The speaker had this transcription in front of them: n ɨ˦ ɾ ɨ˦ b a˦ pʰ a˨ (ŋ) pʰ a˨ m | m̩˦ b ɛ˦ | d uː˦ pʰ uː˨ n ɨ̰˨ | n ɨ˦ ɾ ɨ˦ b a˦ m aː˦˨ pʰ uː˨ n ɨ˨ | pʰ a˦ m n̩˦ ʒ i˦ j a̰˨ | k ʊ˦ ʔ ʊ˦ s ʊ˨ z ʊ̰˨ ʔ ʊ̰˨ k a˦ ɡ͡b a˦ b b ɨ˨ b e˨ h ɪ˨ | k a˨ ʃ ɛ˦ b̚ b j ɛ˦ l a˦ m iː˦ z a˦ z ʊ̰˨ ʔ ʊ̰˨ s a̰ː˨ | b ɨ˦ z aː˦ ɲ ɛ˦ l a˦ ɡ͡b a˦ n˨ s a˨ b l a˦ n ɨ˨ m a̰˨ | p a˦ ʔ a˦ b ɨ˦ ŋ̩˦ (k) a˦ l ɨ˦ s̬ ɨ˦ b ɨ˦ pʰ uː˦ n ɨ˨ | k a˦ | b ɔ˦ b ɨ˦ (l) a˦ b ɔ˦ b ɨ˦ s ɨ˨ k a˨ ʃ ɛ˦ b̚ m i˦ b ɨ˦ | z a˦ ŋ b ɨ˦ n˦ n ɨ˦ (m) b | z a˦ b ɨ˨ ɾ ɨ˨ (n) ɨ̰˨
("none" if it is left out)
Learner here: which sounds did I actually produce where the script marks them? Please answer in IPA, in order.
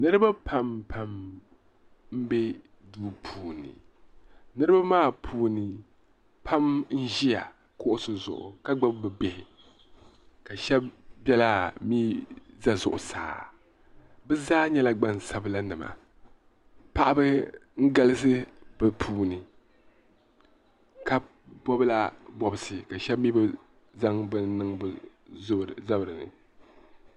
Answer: m, ɡ, l, ŋ, n

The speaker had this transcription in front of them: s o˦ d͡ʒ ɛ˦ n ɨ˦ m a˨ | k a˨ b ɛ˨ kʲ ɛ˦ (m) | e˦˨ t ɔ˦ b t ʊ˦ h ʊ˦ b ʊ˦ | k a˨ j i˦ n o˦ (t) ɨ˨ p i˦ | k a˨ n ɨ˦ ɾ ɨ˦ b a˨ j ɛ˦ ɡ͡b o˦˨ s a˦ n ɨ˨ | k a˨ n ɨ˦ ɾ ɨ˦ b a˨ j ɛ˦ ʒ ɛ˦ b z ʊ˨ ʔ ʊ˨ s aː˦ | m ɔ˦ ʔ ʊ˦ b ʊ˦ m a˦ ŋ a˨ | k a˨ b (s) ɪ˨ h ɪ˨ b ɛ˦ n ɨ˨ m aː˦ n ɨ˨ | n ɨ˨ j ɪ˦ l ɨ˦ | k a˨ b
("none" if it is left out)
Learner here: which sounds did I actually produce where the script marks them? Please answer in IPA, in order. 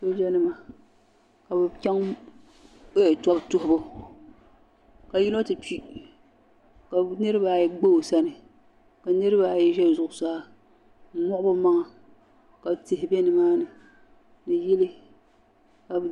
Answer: ŋ, t, t

